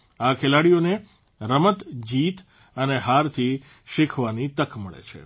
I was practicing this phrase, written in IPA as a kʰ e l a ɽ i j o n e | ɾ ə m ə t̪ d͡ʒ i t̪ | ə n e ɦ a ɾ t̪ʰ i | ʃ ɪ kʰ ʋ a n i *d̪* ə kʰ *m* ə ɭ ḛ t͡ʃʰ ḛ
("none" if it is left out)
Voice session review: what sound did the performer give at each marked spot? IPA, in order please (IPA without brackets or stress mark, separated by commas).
t̪, m